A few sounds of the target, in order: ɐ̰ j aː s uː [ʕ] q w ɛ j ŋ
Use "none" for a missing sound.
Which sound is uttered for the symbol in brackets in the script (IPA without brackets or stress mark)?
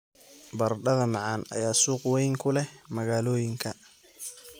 none